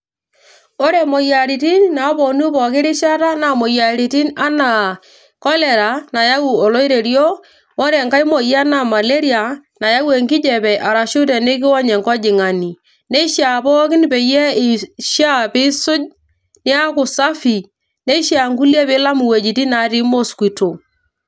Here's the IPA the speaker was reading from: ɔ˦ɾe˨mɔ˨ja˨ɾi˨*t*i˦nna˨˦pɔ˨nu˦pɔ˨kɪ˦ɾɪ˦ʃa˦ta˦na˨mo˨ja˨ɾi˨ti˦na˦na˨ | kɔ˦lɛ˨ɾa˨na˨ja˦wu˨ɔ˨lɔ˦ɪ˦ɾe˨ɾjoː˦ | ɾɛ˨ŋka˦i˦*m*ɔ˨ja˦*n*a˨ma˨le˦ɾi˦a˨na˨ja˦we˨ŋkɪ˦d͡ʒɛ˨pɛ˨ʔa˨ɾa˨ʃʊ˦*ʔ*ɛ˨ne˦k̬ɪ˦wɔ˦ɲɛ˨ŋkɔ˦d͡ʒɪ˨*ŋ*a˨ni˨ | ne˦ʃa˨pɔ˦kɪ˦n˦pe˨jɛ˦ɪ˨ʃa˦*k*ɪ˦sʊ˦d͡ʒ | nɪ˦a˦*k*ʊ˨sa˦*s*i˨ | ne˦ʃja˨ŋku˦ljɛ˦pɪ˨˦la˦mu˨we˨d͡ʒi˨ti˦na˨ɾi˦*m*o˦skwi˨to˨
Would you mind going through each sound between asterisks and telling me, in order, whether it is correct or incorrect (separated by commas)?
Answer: correct, correct, correct, incorrect, correct, incorrect, correct, incorrect, correct